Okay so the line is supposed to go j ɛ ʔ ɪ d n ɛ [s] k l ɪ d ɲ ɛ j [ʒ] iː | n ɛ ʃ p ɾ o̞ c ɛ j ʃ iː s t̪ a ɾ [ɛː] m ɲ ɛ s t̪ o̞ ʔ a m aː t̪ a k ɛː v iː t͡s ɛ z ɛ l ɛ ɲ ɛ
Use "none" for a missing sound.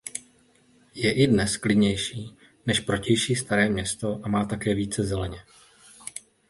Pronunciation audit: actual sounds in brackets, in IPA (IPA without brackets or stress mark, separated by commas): s, ʃ, ɛː